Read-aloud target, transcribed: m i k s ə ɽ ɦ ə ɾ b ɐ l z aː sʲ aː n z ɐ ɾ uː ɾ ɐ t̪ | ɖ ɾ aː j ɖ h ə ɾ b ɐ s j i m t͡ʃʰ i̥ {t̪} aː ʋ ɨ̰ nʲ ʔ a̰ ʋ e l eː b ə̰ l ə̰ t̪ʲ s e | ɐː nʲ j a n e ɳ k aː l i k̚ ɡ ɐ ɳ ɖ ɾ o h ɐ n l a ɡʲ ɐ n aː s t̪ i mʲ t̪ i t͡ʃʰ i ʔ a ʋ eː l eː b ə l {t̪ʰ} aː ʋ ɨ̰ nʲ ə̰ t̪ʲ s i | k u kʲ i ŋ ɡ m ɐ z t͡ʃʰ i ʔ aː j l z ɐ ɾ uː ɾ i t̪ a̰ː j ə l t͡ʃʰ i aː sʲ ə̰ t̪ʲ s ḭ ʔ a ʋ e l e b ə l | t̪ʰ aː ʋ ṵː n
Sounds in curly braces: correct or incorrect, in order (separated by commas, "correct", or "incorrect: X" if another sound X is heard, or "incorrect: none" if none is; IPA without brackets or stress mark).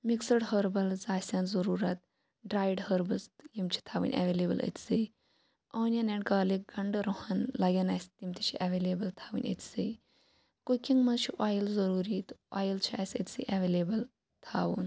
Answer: incorrect: t̪ʰ, correct